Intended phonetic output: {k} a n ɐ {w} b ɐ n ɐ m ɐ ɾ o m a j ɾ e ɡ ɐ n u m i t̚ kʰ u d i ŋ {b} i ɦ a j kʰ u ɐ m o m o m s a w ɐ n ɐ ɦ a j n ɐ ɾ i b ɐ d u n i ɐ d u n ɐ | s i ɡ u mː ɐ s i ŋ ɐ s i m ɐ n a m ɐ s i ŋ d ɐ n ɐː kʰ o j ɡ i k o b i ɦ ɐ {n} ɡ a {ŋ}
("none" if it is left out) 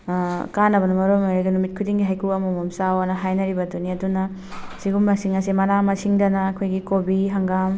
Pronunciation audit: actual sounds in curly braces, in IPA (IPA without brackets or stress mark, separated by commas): k, none, ɡ, ŋ, m